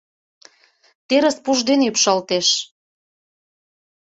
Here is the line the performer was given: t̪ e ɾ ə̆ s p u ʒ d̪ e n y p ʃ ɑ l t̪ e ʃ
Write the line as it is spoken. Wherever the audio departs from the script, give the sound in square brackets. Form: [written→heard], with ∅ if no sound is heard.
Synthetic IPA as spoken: t̪ e ɾ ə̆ s p u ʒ d̪ e n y p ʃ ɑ l t̪ e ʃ